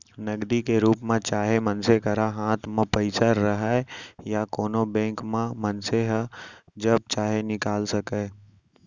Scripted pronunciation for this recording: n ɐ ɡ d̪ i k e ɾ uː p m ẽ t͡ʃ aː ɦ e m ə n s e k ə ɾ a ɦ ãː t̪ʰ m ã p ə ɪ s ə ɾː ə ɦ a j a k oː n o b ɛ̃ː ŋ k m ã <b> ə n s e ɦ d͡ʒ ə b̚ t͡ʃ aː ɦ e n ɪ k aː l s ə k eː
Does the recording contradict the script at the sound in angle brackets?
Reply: yes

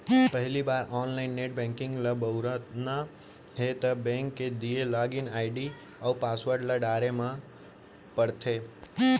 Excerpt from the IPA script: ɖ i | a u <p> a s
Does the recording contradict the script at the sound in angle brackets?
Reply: no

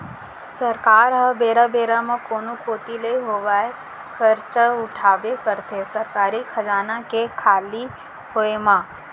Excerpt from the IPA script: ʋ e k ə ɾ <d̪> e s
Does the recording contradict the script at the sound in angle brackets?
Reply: yes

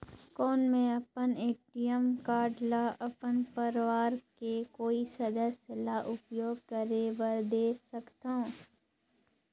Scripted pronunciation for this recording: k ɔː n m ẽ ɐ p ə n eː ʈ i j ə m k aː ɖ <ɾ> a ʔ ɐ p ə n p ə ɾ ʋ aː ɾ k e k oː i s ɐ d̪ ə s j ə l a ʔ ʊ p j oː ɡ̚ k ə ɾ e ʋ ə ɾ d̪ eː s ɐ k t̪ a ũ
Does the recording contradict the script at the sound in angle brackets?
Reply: yes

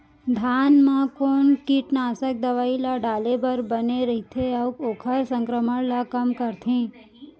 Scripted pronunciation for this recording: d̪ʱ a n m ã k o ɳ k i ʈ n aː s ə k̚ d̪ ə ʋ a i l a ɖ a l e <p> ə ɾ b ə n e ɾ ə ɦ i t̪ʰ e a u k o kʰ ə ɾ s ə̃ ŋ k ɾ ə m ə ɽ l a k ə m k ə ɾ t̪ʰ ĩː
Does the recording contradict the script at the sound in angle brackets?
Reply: yes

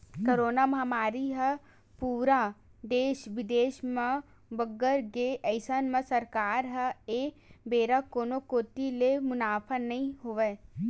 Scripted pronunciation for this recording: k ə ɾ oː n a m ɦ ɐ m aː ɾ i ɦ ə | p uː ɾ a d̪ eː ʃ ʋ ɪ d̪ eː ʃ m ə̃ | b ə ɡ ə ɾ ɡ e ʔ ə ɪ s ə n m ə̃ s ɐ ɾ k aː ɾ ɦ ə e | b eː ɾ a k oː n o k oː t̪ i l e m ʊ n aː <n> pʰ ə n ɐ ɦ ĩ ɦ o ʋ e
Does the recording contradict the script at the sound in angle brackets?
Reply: yes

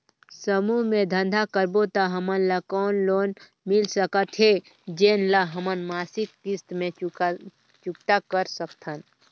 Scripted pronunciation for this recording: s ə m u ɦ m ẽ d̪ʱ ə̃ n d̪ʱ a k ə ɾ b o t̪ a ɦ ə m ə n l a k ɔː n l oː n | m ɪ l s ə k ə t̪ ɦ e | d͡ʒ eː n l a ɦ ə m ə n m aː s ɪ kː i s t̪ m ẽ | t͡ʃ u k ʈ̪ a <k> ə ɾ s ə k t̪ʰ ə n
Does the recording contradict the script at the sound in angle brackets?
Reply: no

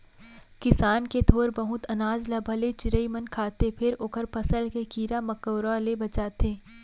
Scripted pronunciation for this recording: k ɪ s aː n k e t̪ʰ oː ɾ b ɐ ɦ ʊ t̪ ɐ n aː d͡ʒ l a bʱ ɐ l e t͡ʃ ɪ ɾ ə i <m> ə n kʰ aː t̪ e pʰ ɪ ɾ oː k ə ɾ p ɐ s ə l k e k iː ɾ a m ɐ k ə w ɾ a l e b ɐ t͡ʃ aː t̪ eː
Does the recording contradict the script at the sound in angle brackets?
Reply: no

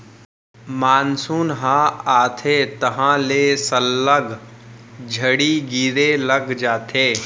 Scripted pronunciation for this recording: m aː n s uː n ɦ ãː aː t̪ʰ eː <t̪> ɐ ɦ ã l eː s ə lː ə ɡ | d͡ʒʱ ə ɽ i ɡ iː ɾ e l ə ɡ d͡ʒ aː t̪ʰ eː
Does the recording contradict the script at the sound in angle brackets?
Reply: no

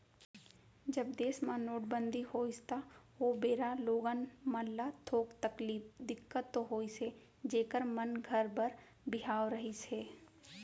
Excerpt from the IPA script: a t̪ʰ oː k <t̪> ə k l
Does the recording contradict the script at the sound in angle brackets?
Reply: no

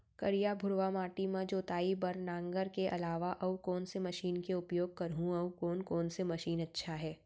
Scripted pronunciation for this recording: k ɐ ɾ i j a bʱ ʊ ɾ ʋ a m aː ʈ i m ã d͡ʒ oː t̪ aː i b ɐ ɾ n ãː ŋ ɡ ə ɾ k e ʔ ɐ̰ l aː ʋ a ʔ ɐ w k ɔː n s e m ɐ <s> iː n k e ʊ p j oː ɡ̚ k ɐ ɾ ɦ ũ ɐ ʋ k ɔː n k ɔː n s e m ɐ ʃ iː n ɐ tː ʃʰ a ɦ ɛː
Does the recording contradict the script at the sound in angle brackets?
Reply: yes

